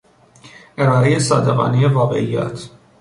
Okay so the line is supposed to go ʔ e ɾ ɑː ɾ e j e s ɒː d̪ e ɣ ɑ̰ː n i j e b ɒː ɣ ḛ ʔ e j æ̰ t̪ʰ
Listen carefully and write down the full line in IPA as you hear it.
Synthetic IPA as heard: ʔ e ɾ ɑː ɾ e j e s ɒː d̪ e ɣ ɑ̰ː n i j e v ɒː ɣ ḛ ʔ i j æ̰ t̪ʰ